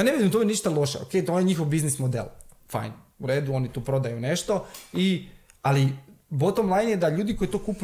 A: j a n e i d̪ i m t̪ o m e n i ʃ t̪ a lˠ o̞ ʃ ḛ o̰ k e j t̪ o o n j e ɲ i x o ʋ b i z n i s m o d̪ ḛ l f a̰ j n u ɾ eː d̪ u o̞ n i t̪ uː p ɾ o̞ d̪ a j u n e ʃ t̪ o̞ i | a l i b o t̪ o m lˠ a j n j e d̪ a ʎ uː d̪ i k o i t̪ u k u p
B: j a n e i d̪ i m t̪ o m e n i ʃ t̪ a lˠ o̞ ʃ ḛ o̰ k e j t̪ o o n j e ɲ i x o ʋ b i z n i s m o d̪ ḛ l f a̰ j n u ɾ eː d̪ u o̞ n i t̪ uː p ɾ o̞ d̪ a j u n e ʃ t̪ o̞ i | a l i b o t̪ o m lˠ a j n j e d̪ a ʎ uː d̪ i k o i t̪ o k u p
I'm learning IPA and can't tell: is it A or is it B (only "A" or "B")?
B